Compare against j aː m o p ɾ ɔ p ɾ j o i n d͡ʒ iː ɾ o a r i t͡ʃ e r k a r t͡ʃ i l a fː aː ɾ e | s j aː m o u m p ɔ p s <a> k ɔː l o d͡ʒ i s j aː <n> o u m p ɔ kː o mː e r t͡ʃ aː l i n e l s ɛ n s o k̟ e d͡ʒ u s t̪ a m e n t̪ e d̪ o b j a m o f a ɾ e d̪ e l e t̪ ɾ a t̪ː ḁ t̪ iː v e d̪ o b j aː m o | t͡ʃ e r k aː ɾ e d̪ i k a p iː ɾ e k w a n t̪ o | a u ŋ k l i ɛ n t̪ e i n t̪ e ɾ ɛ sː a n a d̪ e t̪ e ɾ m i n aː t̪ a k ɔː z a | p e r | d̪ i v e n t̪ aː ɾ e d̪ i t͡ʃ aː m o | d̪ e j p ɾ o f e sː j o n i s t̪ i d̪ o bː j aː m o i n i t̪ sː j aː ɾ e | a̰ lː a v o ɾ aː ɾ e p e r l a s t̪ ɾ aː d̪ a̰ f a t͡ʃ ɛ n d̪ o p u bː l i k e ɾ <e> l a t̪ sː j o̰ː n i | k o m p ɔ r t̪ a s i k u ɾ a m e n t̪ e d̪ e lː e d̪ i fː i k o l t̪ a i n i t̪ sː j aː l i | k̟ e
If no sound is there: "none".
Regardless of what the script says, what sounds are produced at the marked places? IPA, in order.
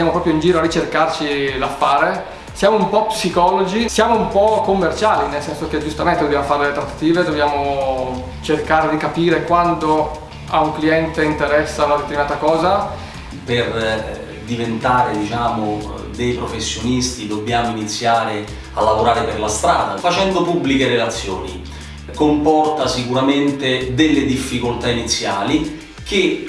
i, m, e

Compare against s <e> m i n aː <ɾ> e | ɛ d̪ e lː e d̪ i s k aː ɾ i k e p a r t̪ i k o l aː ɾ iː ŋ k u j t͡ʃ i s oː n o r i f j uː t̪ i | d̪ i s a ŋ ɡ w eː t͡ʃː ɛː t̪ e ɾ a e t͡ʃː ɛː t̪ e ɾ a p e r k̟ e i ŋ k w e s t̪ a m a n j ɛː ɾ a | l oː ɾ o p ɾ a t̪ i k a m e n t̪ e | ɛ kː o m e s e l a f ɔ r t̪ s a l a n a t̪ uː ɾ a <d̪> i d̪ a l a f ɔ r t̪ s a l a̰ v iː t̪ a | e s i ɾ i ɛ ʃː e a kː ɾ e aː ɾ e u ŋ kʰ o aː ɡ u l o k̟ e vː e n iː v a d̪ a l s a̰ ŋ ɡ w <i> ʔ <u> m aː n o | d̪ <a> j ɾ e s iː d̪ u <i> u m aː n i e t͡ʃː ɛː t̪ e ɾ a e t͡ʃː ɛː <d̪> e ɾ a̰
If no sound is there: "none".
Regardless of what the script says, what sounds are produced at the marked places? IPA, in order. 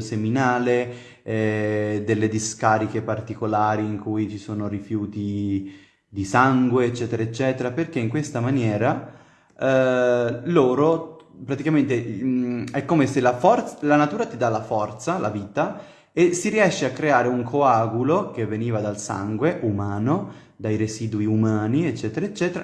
e, l, t̪, e, u, a, i, t̪

